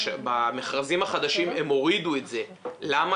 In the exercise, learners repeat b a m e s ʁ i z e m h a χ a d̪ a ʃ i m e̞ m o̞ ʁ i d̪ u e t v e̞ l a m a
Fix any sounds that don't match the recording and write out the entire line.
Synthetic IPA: b a m e χ ʁ a z i m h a χ a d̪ a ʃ i m e̞ m o̞ ʁ i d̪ u e t z e̞ l a m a